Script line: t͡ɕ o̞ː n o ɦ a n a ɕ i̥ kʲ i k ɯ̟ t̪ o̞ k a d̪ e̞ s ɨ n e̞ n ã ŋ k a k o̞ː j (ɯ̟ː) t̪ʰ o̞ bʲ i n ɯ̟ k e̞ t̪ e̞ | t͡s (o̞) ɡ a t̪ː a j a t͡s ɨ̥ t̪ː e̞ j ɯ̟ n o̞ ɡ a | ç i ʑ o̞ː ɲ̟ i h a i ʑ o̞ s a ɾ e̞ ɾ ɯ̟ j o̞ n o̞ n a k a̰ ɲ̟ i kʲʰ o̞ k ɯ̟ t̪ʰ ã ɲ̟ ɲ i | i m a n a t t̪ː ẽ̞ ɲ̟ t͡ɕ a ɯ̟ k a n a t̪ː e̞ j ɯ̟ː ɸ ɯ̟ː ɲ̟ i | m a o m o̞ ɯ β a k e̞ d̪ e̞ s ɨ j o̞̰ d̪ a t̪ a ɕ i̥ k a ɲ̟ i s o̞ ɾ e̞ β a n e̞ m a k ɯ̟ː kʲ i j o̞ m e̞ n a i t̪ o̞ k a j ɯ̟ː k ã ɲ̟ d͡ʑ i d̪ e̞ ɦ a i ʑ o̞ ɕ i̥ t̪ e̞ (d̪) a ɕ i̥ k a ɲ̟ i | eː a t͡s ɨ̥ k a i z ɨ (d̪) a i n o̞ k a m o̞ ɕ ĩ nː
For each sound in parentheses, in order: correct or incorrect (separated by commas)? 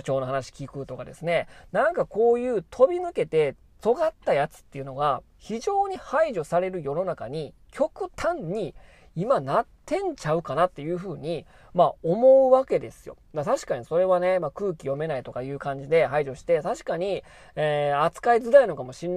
correct, correct, incorrect, correct